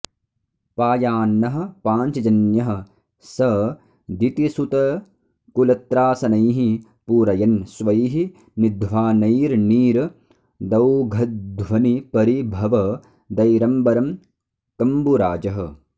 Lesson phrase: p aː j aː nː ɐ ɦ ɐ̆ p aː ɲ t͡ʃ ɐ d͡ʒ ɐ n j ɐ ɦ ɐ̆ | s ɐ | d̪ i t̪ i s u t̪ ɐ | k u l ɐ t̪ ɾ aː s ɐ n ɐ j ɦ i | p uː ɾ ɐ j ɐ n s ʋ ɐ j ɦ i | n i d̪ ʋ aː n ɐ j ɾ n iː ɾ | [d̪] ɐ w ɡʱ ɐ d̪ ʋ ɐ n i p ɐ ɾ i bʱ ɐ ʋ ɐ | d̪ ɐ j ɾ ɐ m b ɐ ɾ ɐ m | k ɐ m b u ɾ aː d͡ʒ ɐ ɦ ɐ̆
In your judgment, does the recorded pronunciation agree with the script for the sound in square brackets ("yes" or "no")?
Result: yes